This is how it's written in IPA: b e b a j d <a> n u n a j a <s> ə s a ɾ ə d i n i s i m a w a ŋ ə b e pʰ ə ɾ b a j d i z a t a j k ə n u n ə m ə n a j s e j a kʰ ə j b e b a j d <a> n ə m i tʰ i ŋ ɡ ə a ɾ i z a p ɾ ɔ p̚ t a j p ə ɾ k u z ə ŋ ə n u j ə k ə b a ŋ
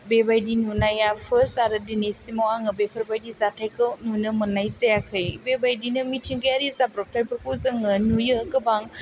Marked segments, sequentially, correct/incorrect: incorrect, incorrect, incorrect

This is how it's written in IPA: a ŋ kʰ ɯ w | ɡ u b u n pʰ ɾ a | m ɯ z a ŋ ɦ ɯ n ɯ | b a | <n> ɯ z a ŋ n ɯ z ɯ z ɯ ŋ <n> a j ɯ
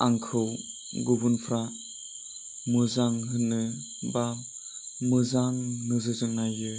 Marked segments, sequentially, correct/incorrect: incorrect, correct

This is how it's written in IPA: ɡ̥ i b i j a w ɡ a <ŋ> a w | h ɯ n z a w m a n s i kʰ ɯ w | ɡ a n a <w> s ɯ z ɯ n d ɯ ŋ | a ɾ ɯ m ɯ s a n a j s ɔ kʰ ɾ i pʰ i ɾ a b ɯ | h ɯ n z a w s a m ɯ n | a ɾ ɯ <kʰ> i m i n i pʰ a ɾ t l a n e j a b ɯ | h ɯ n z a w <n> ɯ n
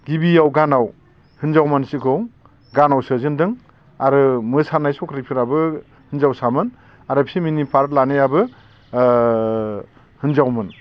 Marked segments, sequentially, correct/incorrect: incorrect, correct, incorrect, incorrect

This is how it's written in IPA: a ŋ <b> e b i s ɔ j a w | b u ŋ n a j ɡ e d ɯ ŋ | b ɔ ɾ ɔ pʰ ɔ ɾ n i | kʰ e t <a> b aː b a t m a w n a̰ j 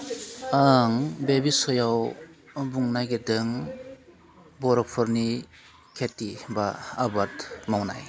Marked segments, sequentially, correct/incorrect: correct, incorrect

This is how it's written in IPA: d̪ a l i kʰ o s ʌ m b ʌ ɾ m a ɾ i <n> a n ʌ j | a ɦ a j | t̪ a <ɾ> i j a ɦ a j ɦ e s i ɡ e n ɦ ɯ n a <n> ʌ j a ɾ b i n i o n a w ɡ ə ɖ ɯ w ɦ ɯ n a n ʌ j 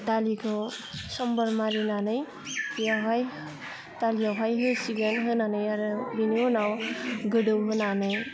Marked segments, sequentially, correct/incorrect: correct, incorrect, correct

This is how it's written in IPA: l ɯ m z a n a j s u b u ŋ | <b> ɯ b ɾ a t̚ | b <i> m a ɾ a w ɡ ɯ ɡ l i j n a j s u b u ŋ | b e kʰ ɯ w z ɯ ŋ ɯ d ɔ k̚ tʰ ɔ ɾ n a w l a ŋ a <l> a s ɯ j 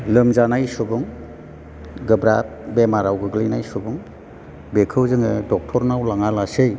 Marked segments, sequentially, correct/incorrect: incorrect, incorrect, correct

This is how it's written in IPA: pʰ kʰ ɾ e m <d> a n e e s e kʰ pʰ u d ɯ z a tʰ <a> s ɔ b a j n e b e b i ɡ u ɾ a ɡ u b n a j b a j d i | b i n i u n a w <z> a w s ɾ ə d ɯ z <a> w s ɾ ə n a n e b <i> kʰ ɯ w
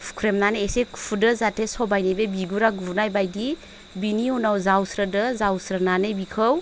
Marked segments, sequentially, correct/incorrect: incorrect, incorrect, correct, correct, correct

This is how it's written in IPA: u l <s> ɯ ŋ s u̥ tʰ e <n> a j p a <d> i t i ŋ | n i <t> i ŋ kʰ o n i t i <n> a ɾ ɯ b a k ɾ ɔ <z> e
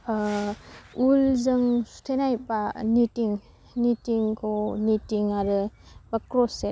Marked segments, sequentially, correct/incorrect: incorrect, correct, incorrect, correct, incorrect, incorrect

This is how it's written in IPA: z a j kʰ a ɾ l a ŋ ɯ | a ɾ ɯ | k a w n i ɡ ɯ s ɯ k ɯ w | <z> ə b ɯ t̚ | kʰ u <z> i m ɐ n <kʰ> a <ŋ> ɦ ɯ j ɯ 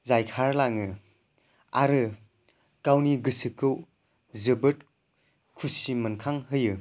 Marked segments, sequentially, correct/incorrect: correct, incorrect, correct, correct

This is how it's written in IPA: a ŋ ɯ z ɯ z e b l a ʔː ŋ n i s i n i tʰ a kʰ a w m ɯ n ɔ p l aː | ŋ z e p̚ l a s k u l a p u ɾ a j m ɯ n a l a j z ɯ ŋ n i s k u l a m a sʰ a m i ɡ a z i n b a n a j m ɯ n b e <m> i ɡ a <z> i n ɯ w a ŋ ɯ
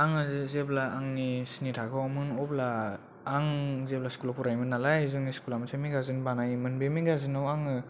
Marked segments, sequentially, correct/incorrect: correct, correct

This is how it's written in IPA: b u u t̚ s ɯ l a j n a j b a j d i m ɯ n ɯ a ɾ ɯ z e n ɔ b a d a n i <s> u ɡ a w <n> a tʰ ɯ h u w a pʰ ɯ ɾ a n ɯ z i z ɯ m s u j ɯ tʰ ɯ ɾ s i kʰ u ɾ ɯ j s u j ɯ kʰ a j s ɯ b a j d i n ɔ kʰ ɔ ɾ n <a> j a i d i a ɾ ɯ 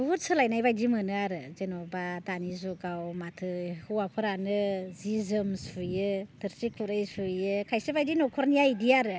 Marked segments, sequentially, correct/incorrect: incorrect, incorrect, incorrect

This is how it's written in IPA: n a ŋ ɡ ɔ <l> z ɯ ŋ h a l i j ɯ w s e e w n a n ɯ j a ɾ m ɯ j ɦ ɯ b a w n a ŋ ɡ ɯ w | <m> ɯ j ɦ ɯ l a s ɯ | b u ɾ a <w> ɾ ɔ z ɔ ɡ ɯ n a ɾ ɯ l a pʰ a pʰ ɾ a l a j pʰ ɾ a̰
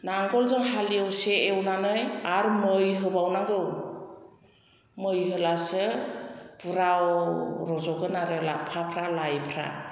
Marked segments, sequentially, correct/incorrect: correct, correct, correct

